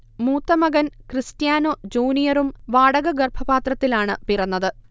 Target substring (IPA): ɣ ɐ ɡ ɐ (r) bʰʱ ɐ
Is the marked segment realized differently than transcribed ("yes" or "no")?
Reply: no